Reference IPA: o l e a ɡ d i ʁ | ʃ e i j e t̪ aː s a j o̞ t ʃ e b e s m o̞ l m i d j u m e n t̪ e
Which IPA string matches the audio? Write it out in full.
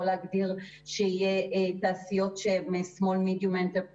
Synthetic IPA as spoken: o l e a ɡ d i ʁ | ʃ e i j e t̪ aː s i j o̞ t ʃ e m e s m o̞ l m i d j u m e n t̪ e